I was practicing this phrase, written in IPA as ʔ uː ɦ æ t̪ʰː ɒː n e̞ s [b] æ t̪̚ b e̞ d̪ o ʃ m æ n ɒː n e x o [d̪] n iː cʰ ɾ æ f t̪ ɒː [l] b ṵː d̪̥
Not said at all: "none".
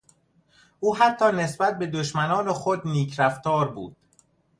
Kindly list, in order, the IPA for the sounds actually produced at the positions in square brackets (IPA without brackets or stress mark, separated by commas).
b, d̪, ɾ